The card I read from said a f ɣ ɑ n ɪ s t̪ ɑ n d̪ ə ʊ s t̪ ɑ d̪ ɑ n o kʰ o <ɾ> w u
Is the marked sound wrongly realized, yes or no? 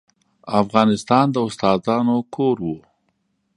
no